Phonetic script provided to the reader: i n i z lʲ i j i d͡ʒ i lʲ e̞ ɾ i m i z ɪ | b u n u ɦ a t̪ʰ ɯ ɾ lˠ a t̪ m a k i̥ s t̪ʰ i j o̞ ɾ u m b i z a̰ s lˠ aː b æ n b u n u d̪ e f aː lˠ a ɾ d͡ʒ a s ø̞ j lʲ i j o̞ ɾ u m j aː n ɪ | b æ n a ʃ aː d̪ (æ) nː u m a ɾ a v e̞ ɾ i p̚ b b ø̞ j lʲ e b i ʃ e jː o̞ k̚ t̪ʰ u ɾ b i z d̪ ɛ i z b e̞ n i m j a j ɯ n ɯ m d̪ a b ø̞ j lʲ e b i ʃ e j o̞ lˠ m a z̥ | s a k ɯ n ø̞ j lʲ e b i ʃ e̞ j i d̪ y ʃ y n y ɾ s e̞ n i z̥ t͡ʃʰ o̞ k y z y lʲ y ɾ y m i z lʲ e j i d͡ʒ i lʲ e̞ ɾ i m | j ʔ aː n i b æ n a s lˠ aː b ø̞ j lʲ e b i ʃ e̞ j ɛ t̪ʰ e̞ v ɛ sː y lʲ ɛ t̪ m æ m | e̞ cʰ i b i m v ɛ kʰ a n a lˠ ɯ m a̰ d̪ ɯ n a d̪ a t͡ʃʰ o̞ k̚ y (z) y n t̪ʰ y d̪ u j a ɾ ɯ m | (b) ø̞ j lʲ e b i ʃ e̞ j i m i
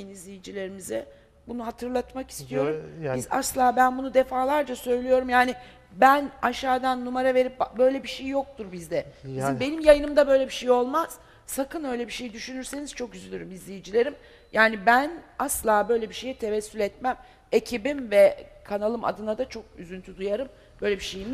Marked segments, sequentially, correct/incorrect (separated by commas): incorrect, correct, correct